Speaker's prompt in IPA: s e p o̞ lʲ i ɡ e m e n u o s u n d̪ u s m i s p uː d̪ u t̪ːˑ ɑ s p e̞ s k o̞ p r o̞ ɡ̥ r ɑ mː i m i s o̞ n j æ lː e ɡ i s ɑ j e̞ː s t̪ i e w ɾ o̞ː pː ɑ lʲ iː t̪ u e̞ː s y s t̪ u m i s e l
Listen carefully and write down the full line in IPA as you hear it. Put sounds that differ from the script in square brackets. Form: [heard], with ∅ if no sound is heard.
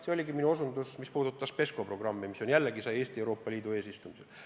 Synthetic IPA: s e [∅] o̞ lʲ i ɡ [i] m [i] n u o s u n d̪ u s m i s p uː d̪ u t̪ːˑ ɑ s p e̞ s k o̞ p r o̞ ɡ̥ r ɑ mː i m i s o̞ n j æ lː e ɡ i s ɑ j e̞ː s t̪ i e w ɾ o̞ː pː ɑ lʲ iː [d̪] u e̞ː s [i] s t̪ u m i s e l